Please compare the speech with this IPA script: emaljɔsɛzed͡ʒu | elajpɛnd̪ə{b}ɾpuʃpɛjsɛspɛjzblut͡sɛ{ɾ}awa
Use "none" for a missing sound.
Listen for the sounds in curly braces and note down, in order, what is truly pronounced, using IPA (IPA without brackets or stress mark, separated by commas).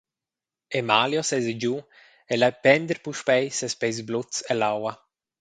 none, l